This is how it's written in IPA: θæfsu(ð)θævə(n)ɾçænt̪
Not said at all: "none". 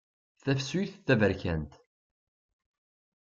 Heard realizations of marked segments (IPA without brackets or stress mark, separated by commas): θ, none